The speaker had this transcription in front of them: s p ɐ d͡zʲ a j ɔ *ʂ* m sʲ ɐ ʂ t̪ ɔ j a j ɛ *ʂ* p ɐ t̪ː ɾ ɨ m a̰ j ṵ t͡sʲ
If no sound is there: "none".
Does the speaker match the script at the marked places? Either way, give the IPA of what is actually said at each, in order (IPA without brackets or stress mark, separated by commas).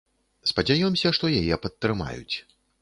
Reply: none, none